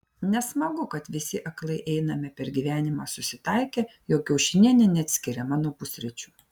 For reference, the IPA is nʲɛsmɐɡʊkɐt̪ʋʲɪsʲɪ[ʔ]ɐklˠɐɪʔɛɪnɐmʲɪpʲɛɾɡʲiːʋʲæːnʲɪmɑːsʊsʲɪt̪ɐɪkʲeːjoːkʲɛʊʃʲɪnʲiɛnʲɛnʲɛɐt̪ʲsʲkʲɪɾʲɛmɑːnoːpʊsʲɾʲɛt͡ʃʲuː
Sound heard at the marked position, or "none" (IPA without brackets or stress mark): ʔ